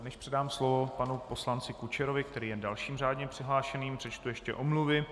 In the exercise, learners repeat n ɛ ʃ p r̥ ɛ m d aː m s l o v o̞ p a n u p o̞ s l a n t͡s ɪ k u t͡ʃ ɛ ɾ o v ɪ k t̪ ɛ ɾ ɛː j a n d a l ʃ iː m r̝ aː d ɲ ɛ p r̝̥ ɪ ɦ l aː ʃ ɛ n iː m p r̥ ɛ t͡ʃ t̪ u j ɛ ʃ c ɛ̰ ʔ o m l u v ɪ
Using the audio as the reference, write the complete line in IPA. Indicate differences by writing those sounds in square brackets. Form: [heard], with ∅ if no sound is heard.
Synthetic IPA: n ɛ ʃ p r̥ ɛ [∅] d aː m s l o v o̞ p a n u p o̞ s l a n t͡s ɪ k u t͡ʃ ɛ ɾ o v ɪ k t̪ ɛ ɾ [iː] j [ɛ] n d a l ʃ iː m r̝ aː d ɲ ɛ p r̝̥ ɪ ɦ l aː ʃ ɛ n iː m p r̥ ɛ t͡ʃ t̪ u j ɛ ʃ c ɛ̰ ʔ o m l u v ɪ